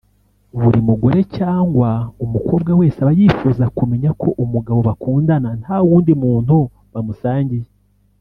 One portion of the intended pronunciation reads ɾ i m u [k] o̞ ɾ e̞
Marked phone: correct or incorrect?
incorrect